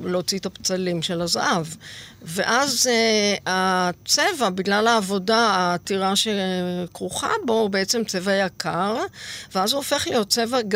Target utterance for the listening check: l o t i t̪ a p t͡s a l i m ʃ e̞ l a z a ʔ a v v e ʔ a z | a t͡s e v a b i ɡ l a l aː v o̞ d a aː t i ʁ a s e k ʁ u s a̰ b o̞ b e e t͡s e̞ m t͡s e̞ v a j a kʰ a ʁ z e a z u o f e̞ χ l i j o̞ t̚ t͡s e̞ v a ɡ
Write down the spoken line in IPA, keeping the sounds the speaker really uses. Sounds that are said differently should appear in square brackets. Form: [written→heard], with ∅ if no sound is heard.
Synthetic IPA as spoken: l o [t→t͡s] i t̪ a p t͡s a l i m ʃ e̞ l a z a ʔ a v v e ʔ a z | a t͡s e v a b i ɡ l a l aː v o̞ d a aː t i ʁ a [s→ʃ] e k ʁ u [s→χ] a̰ b o̞ b e e t͡s e̞ m t͡s e̞ v a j a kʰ a ʁ [z→v] e a z u o f e̞ χ l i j o̞ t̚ t͡s e̞ v a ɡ